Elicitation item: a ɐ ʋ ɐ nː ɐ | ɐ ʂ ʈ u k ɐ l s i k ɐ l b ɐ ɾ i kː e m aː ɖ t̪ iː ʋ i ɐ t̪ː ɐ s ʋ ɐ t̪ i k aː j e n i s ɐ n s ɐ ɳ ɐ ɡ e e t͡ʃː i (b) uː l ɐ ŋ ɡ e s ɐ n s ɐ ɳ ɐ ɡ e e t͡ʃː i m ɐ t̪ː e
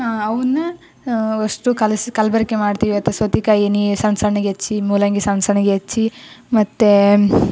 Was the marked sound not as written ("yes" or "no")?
yes